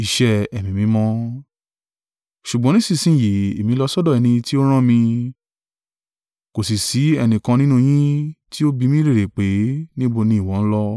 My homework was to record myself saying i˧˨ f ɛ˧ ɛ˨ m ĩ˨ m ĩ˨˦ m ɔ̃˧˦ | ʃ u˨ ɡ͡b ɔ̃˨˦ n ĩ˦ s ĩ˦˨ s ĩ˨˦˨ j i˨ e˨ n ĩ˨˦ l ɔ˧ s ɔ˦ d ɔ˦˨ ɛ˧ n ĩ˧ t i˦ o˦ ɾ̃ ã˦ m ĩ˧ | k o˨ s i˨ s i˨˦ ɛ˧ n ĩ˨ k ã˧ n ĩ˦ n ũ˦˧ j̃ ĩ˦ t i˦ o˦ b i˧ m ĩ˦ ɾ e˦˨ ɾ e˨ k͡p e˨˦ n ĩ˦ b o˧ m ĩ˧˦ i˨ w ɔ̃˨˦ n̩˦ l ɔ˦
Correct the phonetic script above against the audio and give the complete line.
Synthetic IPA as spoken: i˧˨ ʃ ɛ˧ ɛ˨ m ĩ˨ m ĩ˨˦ m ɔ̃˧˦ | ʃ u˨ ɡ͡b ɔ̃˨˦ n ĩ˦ s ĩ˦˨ s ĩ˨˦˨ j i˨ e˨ m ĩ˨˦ l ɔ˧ s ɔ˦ d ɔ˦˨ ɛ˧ n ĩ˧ t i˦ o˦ ɾ̃ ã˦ m ĩ˧ | k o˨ s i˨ s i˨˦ ɛ˧ n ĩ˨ k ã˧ n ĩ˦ n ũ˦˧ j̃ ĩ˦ t i˦ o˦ b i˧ m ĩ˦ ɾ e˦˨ ɾ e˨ k͡p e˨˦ n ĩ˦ b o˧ n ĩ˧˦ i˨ w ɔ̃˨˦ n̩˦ l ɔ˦